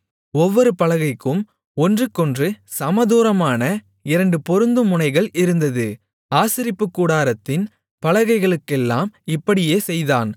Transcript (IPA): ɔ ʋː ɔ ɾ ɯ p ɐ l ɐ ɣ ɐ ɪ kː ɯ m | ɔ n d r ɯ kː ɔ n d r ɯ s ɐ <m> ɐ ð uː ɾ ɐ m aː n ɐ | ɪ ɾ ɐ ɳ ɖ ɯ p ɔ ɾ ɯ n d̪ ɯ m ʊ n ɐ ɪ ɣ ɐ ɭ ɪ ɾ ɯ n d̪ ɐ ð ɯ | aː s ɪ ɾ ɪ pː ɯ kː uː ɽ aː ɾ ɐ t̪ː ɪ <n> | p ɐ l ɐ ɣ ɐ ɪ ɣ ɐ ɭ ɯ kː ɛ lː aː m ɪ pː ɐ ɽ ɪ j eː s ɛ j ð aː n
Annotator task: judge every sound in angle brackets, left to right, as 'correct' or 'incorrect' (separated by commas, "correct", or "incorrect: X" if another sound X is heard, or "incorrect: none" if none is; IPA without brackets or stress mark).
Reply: correct, correct